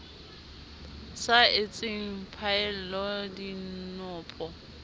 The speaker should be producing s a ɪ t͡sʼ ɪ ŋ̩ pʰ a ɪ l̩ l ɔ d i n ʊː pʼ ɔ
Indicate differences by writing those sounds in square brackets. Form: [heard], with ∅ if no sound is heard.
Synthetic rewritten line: s a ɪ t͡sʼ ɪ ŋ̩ pʰ a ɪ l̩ l ɔ d i n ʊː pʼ ɔ